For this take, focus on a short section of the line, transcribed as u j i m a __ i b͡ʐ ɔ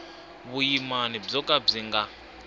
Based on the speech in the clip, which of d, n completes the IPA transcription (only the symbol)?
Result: n